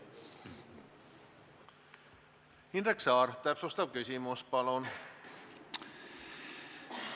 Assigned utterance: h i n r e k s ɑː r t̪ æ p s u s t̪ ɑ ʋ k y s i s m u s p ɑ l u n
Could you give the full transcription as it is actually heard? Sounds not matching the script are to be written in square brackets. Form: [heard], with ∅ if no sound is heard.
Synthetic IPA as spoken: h i n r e k s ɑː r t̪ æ p s [o] s t̪ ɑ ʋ k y s i [∅] m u s p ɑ l [o] n